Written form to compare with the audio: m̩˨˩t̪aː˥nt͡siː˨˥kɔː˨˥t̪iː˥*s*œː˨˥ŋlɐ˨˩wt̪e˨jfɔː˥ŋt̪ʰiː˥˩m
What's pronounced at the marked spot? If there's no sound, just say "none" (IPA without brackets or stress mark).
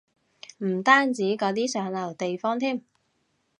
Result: s